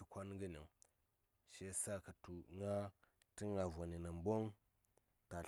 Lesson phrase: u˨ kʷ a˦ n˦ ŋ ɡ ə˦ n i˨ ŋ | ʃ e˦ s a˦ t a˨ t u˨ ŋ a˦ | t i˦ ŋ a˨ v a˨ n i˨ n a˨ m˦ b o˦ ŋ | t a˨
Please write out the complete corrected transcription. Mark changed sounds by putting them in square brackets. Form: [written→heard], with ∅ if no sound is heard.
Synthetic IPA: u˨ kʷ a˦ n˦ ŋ ɡ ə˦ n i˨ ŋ | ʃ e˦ s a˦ [t→k] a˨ t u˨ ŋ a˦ | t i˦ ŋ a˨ v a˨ n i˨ n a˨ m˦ b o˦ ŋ | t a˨